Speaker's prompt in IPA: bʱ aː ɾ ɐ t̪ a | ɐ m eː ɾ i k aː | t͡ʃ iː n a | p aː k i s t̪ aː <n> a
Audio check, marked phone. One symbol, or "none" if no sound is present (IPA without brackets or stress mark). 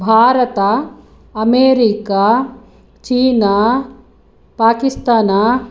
n